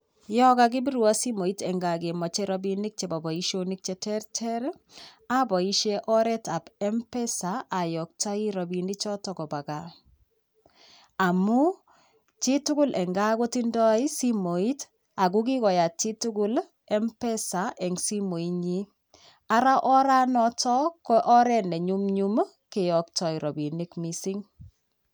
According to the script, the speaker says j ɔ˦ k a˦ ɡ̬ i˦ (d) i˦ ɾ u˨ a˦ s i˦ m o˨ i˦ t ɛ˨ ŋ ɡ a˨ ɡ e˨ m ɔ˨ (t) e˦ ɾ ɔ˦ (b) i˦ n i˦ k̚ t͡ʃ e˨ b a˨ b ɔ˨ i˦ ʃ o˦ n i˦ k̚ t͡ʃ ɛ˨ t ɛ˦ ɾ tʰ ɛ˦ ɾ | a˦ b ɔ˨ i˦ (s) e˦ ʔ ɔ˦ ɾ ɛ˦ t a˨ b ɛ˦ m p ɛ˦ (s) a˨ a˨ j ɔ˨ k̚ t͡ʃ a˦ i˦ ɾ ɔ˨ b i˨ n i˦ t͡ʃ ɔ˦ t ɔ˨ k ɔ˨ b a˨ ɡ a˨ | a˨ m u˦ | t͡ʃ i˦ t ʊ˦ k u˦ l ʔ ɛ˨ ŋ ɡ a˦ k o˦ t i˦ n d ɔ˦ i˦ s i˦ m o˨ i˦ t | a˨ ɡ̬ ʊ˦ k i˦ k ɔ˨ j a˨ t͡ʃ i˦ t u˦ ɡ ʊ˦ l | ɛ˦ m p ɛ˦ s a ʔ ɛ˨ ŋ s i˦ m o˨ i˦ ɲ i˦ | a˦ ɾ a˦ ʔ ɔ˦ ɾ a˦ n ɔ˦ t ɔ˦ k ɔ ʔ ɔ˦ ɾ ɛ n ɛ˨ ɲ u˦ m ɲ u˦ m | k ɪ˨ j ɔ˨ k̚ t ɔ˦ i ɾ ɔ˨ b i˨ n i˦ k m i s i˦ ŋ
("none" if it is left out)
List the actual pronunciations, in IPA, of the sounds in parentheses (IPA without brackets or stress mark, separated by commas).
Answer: b, t͡ʃ, b, ʃ, s